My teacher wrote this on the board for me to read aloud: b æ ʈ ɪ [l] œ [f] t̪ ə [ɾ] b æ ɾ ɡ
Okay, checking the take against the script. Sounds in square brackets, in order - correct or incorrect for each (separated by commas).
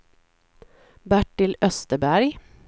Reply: correct, incorrect, incorrect